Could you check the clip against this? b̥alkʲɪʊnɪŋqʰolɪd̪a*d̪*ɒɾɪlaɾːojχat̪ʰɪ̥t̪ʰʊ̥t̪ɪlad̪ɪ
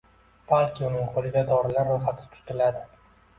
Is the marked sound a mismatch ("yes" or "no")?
no